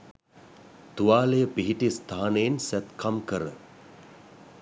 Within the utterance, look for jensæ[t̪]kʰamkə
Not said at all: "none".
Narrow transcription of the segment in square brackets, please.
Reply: t̪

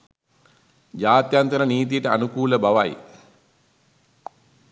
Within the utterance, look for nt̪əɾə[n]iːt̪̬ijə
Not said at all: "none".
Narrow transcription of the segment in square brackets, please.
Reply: n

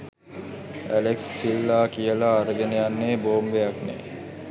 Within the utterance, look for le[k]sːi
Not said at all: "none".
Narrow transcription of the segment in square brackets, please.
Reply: k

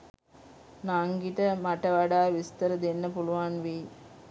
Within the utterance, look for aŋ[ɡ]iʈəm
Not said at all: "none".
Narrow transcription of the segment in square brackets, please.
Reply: ɡ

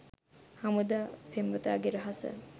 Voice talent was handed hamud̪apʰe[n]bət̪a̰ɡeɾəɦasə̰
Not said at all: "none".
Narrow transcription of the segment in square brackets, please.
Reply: m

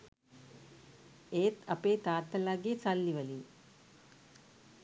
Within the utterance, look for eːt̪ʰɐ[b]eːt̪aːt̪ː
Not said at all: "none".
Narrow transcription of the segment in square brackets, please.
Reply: p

